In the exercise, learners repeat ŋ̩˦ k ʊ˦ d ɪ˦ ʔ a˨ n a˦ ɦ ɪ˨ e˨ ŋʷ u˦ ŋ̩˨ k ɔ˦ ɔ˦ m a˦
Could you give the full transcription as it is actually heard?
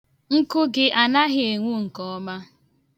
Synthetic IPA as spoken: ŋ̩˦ k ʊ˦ ɡ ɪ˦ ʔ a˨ n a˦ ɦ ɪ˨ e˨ ŋʷ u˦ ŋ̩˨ k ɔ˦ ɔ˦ m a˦